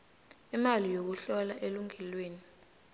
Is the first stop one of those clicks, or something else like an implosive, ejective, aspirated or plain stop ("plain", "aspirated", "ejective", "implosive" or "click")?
plain